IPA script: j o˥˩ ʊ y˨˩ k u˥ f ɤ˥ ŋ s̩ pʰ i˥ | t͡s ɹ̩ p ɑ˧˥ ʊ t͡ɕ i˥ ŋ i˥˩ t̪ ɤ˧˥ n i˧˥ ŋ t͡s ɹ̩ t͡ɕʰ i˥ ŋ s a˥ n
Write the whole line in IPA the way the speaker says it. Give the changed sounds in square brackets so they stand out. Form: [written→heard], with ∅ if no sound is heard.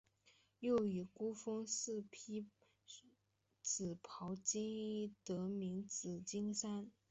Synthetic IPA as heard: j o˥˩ ʊ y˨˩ k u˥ f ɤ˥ ŋ s̩ pʰ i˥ | t͡s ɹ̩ [p→pʰ] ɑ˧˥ ʊ t͡ɕ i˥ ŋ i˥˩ t̪ ɤ˧˥ [n→m] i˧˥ ŋ t͡s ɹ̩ [t͡ɕʰ→t͡ɕ] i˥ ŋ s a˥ n